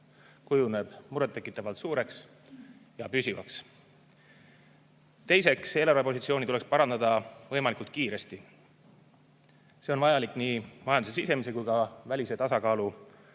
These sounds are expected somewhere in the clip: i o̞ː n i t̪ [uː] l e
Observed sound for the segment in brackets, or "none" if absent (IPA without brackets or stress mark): u